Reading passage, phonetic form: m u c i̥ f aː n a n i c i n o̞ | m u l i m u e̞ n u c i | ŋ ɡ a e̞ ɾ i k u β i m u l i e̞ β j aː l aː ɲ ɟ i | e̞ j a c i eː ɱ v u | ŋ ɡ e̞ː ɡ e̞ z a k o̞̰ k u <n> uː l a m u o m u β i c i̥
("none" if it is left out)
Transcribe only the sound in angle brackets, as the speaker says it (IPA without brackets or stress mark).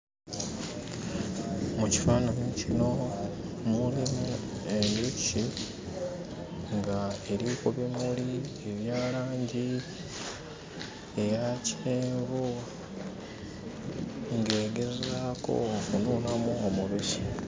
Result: n